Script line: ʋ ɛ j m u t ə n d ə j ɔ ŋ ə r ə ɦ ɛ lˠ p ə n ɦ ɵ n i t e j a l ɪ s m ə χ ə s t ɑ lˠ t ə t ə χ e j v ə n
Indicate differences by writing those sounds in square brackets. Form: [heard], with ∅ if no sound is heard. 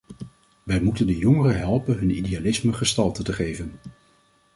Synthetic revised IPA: ʋ ɛ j m u t ə n d ə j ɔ ŋ ə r ə ɦ ɛ lˠ p ə n ɦ ɵ n i [d] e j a l ɪ s m ə χ ə s t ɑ lˠ t ə t ə χ e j v ə n

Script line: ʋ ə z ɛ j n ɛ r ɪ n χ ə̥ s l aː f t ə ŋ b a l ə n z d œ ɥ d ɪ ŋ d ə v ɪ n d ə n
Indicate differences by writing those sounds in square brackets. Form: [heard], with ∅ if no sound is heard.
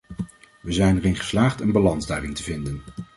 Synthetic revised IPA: ʋ ə z ɛ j n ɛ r ɪ n χ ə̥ s l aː [χ] t ə [n] b a l [ɑ] n z d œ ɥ d ɪ ŋ [t] ə v ɪ n d ə n

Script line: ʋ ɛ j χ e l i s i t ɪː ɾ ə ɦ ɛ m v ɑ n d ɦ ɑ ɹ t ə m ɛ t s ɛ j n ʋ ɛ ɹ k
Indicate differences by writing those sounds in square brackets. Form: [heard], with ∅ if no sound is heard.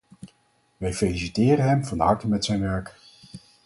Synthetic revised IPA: ʋ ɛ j [f] e l i s i t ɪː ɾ ə ɦ ɛ m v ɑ n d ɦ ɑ ɹ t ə m ɛ t s ɛ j n ʋ ɛ ɹ k

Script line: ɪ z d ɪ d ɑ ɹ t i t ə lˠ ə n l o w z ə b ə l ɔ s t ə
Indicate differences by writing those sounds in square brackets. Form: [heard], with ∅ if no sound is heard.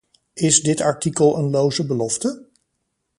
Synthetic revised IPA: ɪ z d ɪ [t] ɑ ɹ t i [k] ə lˠ ə n l o w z ə b ə l ɔ [f] t ə

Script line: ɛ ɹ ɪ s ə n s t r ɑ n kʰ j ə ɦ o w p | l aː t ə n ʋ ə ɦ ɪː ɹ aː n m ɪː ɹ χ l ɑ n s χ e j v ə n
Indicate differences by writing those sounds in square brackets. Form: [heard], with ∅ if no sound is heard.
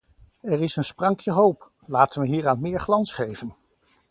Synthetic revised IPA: ɛ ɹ ɪ s ə n s [p] r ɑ [ŋ] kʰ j ə ɦ o w p | l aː t ə n ʋ ə ɦ [iː] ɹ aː n m ɪː ɹ χ l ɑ n s χ e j v ə n

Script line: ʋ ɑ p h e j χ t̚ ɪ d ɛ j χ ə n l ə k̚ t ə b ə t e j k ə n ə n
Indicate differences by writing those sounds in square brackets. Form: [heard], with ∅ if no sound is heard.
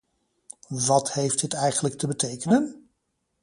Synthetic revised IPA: ʋ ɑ [t] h e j [f] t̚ ɪ [t] ɛ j χ ə n l ə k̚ t ə b ə t e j k ə n ə n

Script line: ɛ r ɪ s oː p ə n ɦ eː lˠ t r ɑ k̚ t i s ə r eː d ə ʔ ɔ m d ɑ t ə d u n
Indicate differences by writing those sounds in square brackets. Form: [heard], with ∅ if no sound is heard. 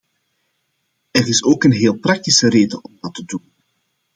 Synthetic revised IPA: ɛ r ɪ s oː [k] ə n ɦ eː lˠ [p] r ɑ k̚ t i s ə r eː d ə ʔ ɔ m d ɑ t ə d u n

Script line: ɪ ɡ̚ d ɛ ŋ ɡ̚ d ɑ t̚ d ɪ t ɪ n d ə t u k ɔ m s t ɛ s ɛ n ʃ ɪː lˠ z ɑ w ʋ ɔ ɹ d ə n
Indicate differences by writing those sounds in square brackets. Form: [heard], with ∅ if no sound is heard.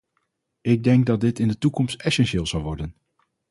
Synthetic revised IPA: ɪ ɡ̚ d ɛ ŋ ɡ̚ d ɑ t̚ d ɪ t ɪ n d ə t u k ɔ m s t ɛ s ɛ n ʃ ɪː lˠ z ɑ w ʋ ɔ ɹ d ə n

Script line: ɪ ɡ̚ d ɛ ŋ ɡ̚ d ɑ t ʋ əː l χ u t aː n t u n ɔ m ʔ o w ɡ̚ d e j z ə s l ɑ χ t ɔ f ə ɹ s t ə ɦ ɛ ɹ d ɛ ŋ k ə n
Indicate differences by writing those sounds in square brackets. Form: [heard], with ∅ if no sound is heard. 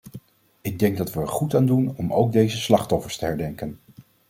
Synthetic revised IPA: ɪ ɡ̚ d ɛ ŋ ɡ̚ d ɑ t ʋ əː [ɹ] χ u t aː n [d] u n ɔ m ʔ o w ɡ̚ d e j z ə s l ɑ χ t ɔ f ə ɹ s t ə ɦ ɛ ɹ d ɛ ŋ k ə n

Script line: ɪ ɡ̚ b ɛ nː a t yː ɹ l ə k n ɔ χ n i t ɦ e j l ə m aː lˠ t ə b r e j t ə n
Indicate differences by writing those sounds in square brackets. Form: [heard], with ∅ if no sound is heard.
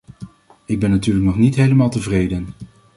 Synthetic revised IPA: ɪ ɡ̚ b ɛ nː a t yː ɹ l ə k n ɔ χ n i t ɦ e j l ə m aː lˠ t ə [v] r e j [d] ə n

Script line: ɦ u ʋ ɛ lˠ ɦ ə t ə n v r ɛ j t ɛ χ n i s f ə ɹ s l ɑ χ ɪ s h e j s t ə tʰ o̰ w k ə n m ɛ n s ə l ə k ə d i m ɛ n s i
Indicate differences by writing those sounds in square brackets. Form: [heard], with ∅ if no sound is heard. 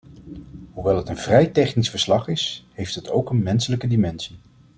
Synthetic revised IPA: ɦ u ʋ ɛ lˠ ɦ ə t ə n v r ɛ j t ɛ χ n i s f ə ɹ s l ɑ χ ɪ s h e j [f] t ə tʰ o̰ w k ə n m ɛ n s ə l ə k ə d i m ɛ n s i

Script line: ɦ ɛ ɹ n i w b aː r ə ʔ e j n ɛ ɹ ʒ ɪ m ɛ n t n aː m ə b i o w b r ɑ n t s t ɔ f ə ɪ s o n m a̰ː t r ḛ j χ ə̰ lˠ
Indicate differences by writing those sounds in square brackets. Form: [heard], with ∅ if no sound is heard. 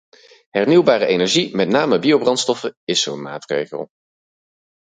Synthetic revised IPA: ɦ ɛ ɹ n i w b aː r ə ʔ e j n ɛ ɹ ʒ [i] m ɛ [∅] t n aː m ə b i o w b r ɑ n t s t ɔ f ə ɪ s o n m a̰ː t r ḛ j χ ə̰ lˠ

